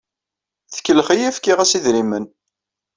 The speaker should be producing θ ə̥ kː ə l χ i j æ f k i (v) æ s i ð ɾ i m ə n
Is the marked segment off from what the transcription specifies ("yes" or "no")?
yes